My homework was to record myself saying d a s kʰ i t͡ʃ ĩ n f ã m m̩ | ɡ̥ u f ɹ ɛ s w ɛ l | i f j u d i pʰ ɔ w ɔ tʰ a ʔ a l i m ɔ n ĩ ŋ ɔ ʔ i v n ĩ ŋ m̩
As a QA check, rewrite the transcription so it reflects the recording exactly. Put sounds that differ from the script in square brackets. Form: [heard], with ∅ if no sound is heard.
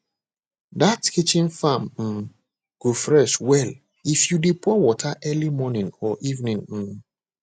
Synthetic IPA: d a [t] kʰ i t͡ʃ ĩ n f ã m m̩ | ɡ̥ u f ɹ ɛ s w ɛ l | i f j u d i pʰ ɔ w ɔ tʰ a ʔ [ɛ] l i m ɔ n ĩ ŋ ɔ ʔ i v n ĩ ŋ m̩